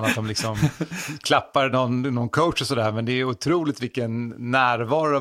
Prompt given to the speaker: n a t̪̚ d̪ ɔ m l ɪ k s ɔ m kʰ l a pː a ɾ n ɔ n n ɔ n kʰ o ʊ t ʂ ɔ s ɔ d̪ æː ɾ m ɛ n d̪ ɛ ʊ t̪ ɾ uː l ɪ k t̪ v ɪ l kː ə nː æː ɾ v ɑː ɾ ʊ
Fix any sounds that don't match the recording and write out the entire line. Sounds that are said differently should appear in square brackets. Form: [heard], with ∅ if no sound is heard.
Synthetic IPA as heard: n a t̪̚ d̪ ɔ m l ɪ k s ɔ m kʰ l a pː a ɾ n ɔ n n ɔ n kʰ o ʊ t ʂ ɔ s ɔ d̪ æː ɾ m ɛ n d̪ ɛ ʊ [t̪ʰ] ɾ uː l ɪ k t̪ v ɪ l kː ə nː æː ɾ v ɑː ɾ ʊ